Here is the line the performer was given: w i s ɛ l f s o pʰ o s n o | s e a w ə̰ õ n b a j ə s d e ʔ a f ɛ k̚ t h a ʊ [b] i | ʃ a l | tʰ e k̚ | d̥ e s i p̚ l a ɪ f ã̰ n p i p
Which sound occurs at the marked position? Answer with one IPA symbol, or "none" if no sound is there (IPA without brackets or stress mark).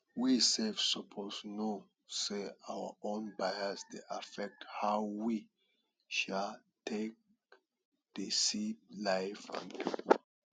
w